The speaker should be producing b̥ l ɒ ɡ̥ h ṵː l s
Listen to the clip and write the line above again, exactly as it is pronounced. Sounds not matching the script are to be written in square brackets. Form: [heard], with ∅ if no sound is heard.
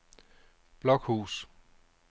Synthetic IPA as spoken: b̥ l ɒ ɡ̥ h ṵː [∅] s